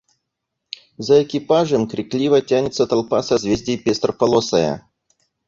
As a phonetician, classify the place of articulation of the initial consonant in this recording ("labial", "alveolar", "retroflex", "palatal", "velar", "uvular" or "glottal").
alveolar